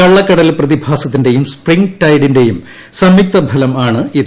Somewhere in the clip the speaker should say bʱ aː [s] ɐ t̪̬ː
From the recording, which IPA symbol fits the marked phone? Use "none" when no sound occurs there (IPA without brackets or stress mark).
s